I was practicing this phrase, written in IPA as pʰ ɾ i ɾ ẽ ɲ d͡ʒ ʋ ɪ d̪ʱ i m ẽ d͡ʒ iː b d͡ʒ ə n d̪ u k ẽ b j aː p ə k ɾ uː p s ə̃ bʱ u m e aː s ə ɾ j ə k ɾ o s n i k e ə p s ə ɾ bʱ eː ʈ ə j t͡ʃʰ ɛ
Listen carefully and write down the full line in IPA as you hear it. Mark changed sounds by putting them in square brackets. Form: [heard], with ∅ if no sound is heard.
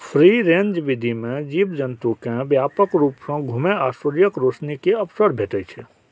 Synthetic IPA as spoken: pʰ ɾ i ɾ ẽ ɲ d͡ʒ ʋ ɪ d̪ʱ i m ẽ d͡ʒ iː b d͡ʒ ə n [t̪] u k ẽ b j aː p ə k ɾ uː p s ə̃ [ɡʱ] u m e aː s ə ɾ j ə k ɾ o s n i k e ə p s ə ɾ bʱ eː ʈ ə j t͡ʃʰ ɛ